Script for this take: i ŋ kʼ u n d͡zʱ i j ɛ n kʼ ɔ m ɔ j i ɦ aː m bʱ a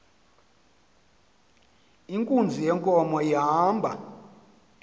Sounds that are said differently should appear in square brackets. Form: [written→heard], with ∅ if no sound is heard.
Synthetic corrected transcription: i ŋ kʼ u n d͡zʱ i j ɛ [n→ŋ] kʼ ɔ m ɔ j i ɦ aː m bʱ a